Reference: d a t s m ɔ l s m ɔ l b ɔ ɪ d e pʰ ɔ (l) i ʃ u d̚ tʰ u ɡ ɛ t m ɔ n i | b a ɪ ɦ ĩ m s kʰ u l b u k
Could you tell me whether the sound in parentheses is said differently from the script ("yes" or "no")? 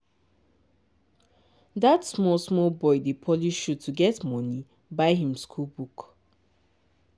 no